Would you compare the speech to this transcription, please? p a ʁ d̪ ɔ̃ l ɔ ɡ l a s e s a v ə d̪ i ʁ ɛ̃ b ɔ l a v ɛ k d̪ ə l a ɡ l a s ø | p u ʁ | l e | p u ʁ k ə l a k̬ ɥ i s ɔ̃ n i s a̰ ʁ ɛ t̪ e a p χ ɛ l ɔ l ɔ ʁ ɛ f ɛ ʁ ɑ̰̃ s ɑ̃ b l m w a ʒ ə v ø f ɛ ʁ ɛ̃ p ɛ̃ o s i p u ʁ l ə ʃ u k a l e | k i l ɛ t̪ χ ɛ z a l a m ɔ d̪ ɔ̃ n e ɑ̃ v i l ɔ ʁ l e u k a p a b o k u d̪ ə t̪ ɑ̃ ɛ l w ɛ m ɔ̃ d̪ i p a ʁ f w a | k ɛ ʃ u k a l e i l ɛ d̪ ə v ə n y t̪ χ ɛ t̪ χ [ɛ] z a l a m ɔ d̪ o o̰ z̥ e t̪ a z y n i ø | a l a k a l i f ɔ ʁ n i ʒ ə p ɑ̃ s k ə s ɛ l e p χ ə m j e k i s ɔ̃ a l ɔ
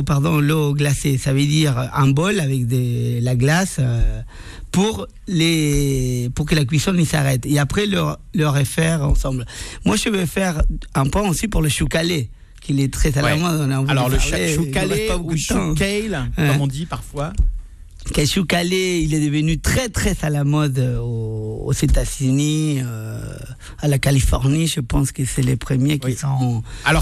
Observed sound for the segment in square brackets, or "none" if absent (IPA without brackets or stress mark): ɛ